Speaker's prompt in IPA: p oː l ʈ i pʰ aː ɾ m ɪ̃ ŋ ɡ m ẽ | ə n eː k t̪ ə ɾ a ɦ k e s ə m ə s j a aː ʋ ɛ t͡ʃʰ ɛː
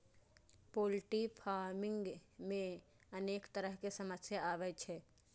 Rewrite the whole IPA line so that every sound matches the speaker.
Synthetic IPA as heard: p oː l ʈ i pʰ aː ɾ m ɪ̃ ŋ ɡ m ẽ | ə n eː k t̪ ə ɾ ə ɦ k e s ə m ə s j a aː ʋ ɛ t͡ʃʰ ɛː